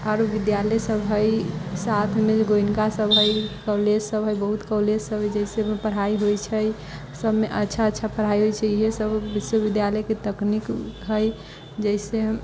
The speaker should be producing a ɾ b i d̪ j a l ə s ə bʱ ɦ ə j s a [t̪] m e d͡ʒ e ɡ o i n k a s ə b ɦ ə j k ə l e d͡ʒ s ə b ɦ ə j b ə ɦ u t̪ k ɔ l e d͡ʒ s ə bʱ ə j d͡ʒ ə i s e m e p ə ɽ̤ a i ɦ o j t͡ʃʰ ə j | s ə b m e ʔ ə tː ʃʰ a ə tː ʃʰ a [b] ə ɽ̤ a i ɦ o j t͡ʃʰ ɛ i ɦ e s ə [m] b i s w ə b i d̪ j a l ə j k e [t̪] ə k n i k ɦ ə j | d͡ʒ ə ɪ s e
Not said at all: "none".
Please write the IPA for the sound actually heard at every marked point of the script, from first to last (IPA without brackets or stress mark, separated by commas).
t̪ʰ, p, b, t̪